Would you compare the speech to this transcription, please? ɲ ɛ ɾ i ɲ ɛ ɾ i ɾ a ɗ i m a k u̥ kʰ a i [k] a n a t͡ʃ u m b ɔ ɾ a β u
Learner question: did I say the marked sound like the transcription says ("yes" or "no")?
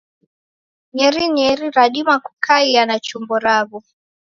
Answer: no